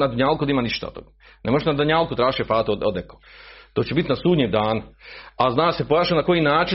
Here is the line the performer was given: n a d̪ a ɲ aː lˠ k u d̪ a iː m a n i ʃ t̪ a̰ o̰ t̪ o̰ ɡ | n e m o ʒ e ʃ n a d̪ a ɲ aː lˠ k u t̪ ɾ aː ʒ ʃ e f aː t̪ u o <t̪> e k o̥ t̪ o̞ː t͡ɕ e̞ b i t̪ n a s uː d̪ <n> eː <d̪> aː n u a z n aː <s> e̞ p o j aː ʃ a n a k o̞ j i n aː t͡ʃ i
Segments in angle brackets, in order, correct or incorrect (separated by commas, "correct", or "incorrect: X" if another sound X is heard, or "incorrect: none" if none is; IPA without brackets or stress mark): incorrect: d̪, incorrect: ɲ, correct, correct